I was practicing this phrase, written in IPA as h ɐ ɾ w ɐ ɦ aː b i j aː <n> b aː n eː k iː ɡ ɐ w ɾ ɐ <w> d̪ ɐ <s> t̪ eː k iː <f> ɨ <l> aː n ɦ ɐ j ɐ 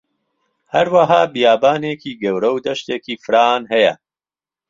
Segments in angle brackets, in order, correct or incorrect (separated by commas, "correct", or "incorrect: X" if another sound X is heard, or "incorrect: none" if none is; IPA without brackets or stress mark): incorrect: none, correct, incorrect: ʃ, correct, incorrect: ɾ